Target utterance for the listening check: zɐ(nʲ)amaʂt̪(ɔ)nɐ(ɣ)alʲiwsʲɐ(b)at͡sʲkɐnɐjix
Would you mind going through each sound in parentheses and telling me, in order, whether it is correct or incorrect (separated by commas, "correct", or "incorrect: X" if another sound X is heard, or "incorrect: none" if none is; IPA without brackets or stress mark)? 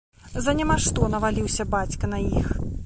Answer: correct, correct, incorrect: v, correct